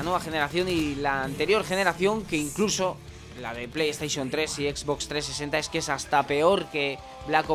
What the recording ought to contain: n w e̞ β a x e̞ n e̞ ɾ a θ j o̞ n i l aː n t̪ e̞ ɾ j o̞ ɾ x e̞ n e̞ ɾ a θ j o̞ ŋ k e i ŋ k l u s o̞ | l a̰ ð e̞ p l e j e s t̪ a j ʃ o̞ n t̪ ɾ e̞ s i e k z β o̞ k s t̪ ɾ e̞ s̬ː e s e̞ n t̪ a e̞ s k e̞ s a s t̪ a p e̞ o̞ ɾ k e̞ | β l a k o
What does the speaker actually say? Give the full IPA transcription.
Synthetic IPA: n w e̞ β a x e̞ n e̞ ɾ a θ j o̞ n i l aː n t̪ e̞ ɾ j o̞ ɾ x e̞ n e̞ ɾ a θ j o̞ ŋ k e i ŋ k l u s o̞ | l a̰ ð e̞ p l e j e s t̪ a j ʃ o̞ n t̪ ɾ e̞ s i e k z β o̞ k s t̪ ɾ e̞ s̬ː e s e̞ n t̪ a e̞ s k e̞ s a s t̪ a p e̞ o̞ ɾ k e̞ | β l a k o